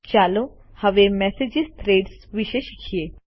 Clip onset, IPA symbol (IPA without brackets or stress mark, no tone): t͡ʃ